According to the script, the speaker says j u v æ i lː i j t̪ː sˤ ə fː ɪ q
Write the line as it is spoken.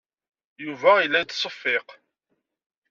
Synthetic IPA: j u v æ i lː æ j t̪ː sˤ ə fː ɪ q